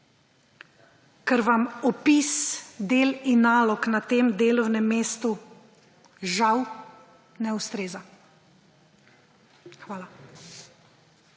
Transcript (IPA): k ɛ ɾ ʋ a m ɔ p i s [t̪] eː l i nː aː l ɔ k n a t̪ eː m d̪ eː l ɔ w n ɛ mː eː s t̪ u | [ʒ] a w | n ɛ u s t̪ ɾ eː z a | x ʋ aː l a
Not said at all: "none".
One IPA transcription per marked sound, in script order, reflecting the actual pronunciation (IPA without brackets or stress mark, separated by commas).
d̪, ʒ